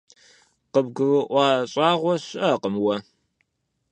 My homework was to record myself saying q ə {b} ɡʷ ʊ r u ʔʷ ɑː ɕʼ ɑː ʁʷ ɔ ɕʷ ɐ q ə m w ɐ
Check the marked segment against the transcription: correct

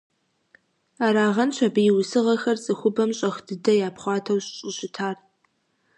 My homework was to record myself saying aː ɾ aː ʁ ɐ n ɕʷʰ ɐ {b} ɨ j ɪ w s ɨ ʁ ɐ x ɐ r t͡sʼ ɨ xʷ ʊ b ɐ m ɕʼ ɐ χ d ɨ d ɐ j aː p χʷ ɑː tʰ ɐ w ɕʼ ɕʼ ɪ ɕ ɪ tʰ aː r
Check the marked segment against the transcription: correct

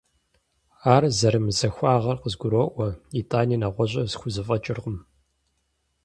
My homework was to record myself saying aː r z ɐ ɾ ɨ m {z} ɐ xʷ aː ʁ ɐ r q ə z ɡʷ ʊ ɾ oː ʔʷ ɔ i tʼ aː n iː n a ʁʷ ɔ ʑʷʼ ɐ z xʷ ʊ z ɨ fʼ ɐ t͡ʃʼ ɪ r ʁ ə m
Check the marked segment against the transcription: correct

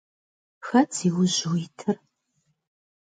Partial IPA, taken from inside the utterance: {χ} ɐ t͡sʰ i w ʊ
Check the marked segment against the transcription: incorrect: x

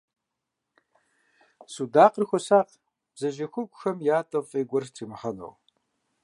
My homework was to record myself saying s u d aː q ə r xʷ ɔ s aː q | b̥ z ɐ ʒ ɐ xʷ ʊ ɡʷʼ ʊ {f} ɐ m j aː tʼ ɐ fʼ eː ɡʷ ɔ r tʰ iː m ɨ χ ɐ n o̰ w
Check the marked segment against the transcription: incorrect: x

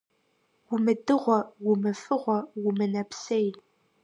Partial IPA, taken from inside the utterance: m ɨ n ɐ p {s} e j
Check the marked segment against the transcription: correct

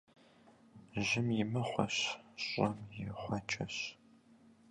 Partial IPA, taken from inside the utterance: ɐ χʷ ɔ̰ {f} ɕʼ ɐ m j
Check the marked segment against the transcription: incorrect: ɕ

